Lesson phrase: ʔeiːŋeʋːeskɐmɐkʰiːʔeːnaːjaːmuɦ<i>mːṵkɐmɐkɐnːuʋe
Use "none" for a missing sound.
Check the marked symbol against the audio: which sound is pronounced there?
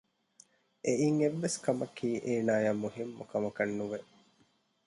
i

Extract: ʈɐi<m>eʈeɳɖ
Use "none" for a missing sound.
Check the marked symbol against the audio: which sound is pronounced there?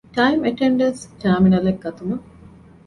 m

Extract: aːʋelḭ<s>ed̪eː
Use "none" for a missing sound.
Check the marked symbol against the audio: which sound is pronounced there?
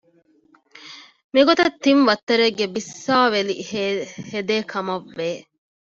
h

